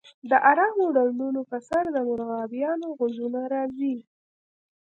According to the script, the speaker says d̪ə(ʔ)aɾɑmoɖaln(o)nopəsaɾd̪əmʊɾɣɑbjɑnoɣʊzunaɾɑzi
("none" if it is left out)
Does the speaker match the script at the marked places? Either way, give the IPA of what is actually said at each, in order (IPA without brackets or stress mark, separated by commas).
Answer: ʔ, u